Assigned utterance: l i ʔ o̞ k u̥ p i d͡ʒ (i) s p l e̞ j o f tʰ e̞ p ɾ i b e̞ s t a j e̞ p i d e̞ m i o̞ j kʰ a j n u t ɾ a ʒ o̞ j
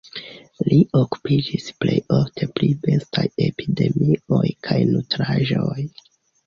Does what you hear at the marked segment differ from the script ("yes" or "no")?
no